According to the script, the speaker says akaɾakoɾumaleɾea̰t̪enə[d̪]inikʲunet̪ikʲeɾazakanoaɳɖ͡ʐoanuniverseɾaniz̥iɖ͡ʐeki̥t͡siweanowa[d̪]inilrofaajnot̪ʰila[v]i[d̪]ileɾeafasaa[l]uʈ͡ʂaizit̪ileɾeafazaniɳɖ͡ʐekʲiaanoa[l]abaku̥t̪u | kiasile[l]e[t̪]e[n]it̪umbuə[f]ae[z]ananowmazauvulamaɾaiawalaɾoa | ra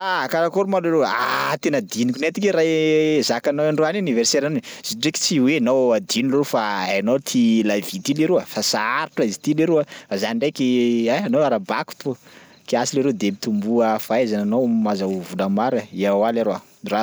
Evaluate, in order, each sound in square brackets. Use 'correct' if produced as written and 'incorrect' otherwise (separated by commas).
correct, correct, correct, incorrect, incorrect, incorrect, incorrect, incorrect, incorrect, correct, correct